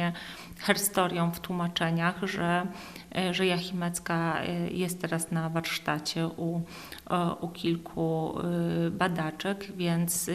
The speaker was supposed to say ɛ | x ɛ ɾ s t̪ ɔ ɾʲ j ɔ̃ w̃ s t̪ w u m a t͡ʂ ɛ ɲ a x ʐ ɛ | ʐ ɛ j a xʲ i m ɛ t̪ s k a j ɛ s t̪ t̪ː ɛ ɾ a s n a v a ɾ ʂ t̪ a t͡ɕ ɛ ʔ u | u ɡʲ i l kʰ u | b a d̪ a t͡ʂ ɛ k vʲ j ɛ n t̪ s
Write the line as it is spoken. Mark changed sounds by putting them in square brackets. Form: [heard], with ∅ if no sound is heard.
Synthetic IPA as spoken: ɛ | x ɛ ɾ s t̪ ɔ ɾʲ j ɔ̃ w̃ [f] t̪ w u m a t͡ʂ ɛ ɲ a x ʐ ɛ | ʐ ɛ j a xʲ i m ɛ t̪ s k a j ɛ s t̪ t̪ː ɛ ɾ a s n a v a ɾ ʂ t̪ a t͡ɕ ɛ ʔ u | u [kʲ] i l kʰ u | b a d̪ a t͡ʂ ɛ k vʲ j ɛ n t̪ s